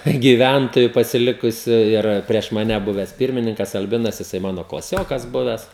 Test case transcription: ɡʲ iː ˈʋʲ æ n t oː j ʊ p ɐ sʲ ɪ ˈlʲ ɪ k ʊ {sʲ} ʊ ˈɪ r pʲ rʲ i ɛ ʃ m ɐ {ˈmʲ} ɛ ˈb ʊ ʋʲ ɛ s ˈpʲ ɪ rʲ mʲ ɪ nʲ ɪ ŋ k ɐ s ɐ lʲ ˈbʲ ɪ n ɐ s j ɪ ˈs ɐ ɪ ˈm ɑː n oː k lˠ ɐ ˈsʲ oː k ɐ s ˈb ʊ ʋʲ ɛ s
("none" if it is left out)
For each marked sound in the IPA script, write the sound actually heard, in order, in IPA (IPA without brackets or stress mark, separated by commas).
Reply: sʲ, nʲ